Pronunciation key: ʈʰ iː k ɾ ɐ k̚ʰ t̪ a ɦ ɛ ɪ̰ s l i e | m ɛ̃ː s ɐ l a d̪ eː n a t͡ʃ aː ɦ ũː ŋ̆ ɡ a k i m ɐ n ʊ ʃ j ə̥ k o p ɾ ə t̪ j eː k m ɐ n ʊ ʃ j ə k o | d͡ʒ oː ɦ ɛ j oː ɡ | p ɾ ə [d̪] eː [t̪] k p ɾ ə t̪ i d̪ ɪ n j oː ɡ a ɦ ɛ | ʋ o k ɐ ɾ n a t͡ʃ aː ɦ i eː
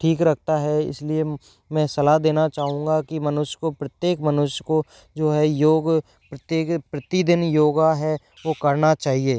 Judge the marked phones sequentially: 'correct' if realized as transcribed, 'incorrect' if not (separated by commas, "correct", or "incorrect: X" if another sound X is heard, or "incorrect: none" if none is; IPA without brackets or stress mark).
incorrect: t̪, incorrect: none